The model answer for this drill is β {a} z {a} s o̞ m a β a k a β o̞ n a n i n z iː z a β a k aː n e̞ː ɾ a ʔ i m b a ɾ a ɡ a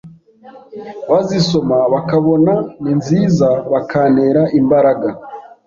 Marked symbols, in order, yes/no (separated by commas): yes, no